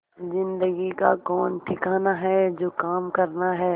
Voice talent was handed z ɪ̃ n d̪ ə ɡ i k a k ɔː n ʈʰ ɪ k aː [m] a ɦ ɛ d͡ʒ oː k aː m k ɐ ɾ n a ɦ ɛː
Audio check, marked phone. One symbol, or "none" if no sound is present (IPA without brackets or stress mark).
n